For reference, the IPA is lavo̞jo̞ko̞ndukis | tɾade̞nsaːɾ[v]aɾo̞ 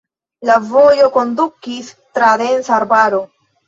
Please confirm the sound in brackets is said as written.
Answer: no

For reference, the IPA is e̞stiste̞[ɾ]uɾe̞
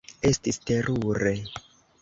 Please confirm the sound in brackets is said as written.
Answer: yes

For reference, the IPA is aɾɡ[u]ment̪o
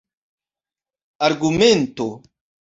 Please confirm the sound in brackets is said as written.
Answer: yes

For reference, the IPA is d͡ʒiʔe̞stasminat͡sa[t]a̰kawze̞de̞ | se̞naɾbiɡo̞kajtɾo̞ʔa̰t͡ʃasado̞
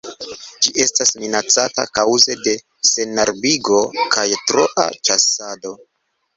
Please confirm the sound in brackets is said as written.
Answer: yes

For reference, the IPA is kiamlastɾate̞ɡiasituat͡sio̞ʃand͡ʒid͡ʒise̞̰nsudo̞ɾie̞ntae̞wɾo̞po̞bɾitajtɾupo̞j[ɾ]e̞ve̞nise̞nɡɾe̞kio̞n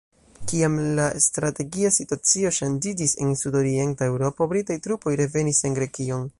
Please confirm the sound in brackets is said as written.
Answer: yes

